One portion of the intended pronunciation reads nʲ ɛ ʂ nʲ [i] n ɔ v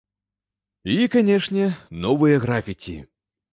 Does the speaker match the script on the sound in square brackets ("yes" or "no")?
no